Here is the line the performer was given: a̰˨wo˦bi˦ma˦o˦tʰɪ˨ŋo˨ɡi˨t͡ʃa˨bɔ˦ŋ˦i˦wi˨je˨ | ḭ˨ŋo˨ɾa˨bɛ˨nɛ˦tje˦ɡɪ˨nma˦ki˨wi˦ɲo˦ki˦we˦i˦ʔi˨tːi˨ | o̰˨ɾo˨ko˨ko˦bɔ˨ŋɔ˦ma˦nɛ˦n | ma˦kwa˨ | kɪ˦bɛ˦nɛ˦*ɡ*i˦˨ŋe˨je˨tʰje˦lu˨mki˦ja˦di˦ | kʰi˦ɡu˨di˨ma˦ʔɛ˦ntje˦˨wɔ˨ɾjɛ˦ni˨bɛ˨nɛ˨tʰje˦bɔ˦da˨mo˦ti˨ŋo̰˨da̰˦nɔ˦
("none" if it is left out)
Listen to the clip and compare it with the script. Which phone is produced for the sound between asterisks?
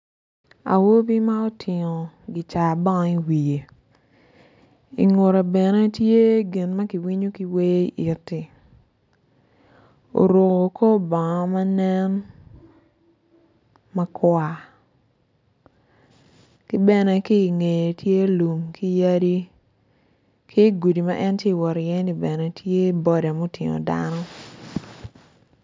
k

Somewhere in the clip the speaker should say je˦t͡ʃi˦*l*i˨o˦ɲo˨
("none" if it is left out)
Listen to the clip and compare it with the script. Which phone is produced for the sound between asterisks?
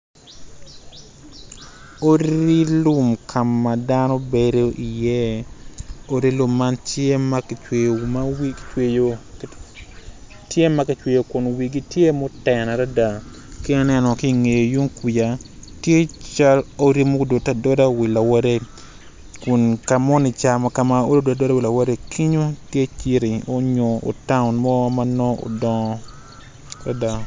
ɾ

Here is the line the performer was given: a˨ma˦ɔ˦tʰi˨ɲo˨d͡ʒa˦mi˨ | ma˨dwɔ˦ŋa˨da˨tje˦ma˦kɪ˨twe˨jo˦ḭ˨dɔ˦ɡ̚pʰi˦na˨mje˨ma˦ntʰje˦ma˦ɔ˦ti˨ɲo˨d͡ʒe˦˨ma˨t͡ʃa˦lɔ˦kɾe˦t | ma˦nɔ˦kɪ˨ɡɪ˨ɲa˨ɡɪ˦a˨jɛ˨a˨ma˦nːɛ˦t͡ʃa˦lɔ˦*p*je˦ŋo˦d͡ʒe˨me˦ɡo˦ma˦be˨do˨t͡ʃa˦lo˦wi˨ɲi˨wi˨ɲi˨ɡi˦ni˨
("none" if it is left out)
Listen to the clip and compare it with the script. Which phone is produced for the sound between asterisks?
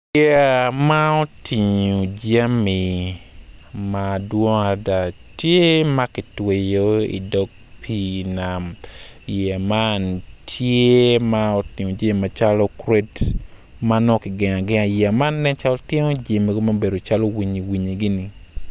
t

